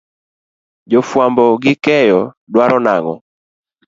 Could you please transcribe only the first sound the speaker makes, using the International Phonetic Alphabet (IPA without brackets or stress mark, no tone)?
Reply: d͡ʒ